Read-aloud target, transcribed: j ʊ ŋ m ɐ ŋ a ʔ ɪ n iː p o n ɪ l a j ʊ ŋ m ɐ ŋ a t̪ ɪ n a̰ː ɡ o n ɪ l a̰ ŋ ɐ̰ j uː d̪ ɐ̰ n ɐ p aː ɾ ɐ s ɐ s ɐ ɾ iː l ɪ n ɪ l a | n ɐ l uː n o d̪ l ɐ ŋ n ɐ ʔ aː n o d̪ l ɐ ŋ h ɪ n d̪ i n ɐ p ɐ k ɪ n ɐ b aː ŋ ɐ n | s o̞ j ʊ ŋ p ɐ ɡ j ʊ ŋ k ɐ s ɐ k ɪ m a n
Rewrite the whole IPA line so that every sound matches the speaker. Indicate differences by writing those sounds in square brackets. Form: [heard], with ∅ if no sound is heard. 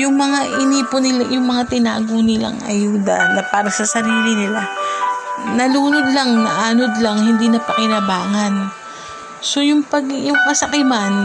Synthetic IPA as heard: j ʊ ŋ m ɐ ŋ a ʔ ɪ n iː p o n ɪ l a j ʊ ŋ m ɐ ŋ a t̪ ɪ n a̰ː ɡ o n ɪ l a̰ ŋ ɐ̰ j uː d̪ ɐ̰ n ɐ p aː ɾ ɐ s ɐ s ɐ ɾ iː l ɪ n ɪ l a | n ɐ l uː n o d̪ l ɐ ŋ n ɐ ʔ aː n o d̪ l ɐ ŋ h ɪ n d̪ i n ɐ p ɐ k ɪ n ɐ b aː ŋ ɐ n | s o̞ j ʊ ŋ p ɐ ɡ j ʊ ŋ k ɐ s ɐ k ɪ m a n